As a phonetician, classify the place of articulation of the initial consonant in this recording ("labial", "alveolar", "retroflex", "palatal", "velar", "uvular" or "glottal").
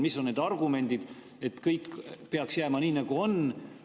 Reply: labial